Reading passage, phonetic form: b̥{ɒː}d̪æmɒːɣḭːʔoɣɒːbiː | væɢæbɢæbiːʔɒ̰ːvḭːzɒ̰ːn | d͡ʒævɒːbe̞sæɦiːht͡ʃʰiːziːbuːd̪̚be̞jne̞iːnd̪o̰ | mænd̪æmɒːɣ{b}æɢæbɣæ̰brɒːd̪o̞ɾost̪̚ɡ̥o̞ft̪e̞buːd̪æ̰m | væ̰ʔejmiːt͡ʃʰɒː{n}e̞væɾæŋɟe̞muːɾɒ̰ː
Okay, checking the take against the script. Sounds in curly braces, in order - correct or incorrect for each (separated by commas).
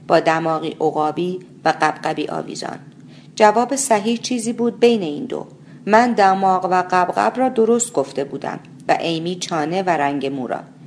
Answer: correct, incorrect, correct